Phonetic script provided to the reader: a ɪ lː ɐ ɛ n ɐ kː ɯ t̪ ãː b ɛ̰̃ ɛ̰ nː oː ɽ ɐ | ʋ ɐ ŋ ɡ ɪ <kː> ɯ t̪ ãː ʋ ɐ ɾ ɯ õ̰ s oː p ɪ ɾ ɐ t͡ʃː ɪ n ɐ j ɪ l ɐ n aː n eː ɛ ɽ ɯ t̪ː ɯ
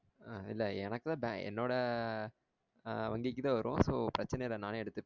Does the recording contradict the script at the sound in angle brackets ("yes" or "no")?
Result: no